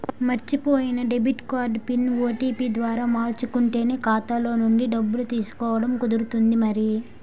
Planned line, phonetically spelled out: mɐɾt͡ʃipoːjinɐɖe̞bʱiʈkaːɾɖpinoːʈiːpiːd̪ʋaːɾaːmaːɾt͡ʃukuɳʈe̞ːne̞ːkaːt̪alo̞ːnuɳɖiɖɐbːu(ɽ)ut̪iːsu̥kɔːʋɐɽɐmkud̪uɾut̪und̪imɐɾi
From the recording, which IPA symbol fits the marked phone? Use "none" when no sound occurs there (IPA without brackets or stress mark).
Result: l